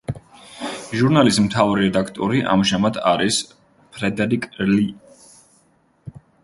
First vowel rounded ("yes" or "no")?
yes